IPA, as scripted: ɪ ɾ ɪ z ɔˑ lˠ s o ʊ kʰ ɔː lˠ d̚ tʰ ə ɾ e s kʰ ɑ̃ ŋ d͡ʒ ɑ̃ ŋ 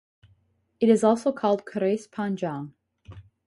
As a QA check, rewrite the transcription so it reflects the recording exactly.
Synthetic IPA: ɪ ɾ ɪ z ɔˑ lˠ s o ʊ kʰ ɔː lˠ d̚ kʰ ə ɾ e s pʰ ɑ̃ n d͡ʒ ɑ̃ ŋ